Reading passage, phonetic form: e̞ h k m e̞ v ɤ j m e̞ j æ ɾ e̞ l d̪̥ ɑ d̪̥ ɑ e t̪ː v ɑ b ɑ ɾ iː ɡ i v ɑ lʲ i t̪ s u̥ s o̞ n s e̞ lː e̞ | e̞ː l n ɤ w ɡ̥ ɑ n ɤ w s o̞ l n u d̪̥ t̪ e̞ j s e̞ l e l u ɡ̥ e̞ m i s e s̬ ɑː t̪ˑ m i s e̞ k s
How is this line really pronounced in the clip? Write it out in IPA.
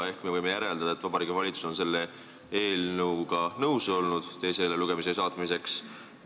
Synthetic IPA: e̞ h k m e̞ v ɤ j m e̞ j æ ɾ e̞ l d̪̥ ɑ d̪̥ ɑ e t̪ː v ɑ b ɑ ɾ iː ɡ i v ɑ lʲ i t̪ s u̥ s o̞ n s e̞ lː e̞ | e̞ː l n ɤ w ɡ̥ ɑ n ɤ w s o̞ l n u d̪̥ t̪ e̞ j s e̞ l e l u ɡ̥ e̞ m i s e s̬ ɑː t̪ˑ m i s e̞ k s